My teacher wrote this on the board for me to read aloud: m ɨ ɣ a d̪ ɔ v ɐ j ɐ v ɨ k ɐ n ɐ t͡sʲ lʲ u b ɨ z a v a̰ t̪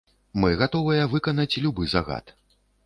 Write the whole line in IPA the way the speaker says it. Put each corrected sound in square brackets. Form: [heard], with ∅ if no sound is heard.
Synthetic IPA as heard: m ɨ ɣ a [t̪] ɔ v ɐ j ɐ v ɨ k ɐ n ɐ t͡sʲ lʲ u b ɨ z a [ɣ] a̰ t̪